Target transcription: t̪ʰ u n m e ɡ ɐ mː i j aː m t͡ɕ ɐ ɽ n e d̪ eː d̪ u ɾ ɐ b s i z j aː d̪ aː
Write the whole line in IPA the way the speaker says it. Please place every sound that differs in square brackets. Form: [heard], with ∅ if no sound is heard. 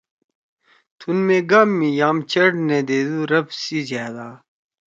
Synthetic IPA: t̪ʰ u n m e ɡ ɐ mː i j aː m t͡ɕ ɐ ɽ n e d̪ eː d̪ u ɾ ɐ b s i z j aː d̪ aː